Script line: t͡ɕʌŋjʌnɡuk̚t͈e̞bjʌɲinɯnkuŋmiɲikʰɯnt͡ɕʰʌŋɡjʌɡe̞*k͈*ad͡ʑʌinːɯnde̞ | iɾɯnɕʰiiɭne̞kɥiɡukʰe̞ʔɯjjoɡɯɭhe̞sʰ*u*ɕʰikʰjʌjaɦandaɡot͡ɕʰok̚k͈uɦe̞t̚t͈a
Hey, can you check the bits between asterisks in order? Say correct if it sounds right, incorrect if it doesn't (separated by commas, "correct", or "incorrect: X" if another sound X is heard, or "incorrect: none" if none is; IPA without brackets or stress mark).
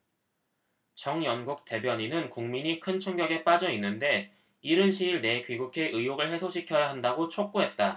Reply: incorrect: p͈, incorrect: o